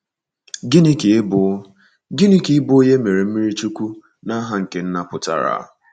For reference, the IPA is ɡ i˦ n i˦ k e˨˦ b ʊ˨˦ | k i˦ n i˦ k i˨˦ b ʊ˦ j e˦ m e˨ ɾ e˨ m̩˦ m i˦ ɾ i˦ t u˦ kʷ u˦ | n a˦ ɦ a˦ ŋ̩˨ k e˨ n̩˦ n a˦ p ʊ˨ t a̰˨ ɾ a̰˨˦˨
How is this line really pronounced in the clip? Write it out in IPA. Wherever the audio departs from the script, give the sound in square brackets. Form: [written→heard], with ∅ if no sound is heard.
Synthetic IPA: ɡ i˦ n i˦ k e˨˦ b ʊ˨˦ | [k→ɡ] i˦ n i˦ k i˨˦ b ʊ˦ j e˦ m e˨ ɾ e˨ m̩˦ m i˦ ɾ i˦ [t→t͡ʃ] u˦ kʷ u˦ | n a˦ ɦ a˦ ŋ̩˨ k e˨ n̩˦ n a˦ p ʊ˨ t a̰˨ ɾ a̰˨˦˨

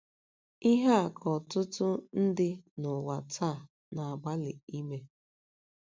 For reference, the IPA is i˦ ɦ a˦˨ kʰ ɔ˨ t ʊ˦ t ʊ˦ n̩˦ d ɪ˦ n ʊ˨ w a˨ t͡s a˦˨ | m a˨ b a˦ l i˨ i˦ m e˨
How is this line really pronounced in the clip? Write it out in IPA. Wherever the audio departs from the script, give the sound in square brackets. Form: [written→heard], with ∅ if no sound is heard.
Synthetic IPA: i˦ ɦ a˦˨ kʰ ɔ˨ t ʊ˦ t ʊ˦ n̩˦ d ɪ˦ n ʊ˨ w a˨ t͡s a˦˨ | [m→n] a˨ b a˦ l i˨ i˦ m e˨

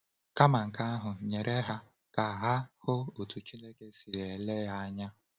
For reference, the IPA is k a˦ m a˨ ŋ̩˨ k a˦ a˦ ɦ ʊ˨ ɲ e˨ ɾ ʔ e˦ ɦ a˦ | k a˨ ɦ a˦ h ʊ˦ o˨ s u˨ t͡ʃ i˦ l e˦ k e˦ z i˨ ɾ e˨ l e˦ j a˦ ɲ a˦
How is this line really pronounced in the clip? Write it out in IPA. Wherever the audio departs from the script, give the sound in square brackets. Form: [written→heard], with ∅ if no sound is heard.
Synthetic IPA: k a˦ m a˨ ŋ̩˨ k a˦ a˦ ɦ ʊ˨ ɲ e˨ ɾ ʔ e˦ ɦ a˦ | k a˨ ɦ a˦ h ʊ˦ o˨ [s→t] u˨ t͡ʃ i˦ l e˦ k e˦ [z→s] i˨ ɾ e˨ l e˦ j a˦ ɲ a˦

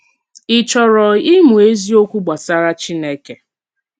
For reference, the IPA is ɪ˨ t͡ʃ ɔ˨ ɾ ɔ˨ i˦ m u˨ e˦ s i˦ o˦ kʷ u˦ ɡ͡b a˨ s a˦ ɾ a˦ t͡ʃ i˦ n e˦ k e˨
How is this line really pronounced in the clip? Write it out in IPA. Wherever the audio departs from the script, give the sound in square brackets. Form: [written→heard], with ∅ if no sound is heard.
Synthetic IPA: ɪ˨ t͡ʃ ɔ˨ ɾ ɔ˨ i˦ m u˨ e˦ [s→z] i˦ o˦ kʷ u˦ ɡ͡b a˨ s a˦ ɾ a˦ t͡ʃ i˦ n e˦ k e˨

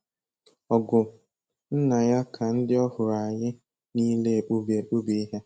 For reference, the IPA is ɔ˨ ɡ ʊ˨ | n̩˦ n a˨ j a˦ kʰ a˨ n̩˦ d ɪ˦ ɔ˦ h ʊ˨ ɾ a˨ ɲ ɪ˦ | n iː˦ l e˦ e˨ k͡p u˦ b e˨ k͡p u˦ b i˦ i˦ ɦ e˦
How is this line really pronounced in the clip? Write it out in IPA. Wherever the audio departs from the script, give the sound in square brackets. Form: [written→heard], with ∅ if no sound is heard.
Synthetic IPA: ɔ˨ ɡ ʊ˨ | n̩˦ n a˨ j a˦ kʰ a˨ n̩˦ d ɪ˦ ɔ˦ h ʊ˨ ɾ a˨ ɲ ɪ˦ | n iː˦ l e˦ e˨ k͡p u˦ b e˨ k͡p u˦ b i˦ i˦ ɦ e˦

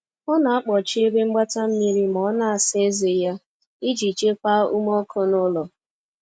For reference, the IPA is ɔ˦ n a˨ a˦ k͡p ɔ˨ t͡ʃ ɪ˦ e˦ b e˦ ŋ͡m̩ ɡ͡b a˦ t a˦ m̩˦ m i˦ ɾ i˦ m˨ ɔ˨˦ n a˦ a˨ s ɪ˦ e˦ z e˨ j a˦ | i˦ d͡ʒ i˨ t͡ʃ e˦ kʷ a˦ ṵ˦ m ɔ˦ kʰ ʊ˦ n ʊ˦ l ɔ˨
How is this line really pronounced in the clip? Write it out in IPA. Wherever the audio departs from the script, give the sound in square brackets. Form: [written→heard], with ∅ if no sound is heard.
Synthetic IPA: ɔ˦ n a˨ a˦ k͡p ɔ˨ t͡ʃ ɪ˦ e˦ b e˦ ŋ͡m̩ ɡ͡b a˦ t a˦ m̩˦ m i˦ ɾ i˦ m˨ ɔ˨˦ n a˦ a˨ s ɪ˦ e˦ z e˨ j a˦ | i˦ d͡ʒ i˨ t͡ʃ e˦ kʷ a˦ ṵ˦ m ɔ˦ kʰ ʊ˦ n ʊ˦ l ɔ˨

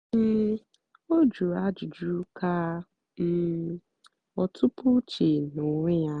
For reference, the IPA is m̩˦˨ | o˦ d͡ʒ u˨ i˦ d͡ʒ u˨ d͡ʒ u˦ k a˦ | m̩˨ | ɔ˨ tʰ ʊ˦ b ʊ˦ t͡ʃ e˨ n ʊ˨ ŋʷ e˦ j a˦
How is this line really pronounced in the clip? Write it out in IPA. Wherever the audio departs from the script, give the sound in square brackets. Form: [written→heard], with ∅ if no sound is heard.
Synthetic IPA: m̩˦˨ | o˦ d͡ʒ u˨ [i˦→a˦] d͡ʒ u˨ d͡ʒ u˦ k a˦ | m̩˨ | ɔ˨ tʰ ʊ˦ [b→p] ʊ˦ t͡ʃ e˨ n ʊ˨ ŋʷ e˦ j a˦

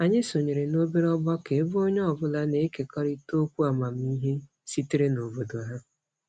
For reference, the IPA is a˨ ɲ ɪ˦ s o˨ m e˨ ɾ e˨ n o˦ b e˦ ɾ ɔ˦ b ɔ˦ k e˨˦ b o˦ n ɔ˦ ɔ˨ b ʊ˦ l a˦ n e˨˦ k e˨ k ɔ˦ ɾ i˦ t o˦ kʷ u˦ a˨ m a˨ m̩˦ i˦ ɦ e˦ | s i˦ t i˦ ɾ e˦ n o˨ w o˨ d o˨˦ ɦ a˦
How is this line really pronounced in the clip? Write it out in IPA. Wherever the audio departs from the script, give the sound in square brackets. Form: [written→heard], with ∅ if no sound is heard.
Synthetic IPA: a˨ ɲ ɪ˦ s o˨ [m→ɲ] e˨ ɾ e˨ n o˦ b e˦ ɾ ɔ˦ b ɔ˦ k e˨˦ b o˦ [n→ɲ] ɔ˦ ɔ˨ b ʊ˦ l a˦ n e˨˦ k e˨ k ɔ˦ ɾ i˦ t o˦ kʷ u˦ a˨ m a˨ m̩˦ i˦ ɦ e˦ | s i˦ t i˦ ɾ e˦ n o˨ [w→b] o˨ d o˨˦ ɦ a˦

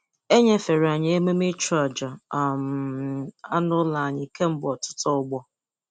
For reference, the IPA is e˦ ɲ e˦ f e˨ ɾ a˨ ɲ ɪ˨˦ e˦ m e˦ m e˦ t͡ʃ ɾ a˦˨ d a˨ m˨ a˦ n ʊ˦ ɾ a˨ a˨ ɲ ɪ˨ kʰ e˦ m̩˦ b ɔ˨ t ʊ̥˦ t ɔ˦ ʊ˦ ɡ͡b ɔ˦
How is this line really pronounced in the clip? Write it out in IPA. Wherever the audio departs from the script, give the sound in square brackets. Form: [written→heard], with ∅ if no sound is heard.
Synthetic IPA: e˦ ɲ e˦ f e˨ ɾ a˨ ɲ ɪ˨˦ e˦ m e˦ m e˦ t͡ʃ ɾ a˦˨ [d→d͡ʒ] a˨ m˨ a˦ n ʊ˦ [ɾ→l] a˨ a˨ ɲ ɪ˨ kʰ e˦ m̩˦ b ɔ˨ t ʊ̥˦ t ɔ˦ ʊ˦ ɡ͡b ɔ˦

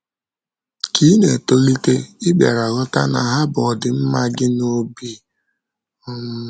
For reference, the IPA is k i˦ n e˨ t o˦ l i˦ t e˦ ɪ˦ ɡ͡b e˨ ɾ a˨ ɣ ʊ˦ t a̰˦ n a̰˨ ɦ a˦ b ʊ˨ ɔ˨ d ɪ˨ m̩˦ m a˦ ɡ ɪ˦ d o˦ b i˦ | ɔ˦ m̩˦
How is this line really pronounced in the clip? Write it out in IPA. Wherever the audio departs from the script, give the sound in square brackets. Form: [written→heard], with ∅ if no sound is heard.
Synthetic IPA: k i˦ n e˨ t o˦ l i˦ t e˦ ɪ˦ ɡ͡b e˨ ɾ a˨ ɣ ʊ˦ t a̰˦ n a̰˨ ɦ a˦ b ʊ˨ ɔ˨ d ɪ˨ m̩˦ m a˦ ɡ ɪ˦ [d→n] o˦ b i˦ | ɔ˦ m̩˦

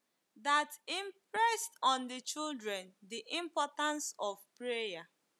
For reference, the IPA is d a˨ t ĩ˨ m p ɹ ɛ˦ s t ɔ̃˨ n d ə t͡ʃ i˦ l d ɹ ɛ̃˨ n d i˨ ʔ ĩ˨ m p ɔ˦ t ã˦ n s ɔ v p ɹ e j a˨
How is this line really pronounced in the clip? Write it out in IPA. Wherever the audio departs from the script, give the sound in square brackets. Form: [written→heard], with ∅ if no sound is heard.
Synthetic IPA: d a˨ t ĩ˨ m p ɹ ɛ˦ s t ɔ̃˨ n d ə t͡ʃ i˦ l d ɹ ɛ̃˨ n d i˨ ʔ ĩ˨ m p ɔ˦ t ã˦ n s ɔ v p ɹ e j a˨

